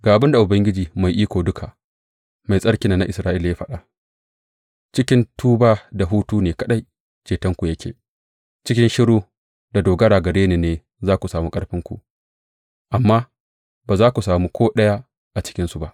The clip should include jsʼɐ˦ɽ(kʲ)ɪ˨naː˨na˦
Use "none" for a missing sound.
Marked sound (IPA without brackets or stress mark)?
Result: kʲ